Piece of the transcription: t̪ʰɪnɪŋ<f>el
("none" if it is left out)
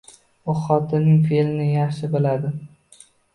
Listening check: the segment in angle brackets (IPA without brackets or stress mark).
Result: f